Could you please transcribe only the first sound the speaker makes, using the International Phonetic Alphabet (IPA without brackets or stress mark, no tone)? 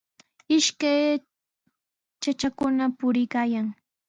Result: ɪ